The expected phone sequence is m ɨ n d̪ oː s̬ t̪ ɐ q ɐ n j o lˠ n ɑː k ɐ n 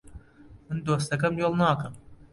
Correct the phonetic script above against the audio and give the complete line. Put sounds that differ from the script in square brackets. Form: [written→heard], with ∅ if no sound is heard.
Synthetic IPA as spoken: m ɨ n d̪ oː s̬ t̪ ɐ [q→k] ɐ [n→m] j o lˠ n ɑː k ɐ [n→m]